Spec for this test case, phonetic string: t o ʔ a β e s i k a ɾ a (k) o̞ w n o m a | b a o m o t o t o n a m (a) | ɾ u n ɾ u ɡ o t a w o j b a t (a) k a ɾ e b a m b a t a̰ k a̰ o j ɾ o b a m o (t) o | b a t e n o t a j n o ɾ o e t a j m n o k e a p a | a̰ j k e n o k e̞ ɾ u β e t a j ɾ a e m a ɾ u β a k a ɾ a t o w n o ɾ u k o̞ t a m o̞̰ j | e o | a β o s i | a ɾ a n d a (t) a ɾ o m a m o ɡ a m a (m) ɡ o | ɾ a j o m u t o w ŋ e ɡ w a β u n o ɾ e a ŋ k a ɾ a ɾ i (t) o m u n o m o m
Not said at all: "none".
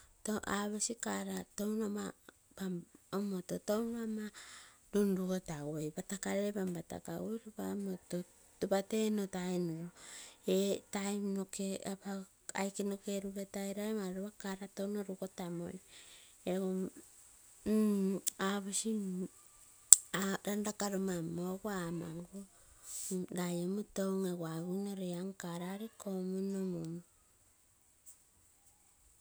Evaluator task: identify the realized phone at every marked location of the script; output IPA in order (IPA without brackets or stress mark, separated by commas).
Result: t, a, a, t, k, ŋ, k